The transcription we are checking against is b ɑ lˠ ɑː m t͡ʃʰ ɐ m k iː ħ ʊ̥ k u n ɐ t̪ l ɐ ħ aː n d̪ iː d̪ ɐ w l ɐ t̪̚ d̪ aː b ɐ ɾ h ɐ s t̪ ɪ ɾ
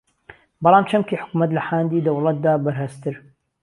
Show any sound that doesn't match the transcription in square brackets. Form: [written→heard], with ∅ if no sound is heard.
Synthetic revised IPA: b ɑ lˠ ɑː m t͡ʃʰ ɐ m k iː ħ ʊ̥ k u [n→m] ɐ t̪ l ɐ ħ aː n d̪ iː d̪ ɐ w l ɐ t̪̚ d̪ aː b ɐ ɾ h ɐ s t̪ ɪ ɾ